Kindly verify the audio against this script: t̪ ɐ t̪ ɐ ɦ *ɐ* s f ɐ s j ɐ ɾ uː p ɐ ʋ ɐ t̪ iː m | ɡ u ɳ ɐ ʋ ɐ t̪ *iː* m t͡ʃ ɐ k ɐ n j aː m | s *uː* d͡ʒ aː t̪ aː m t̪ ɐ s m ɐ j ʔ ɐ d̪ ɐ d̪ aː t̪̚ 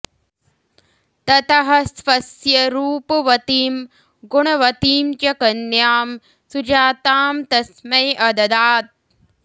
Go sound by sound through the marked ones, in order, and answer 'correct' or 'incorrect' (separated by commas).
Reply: correct, correct, incorrect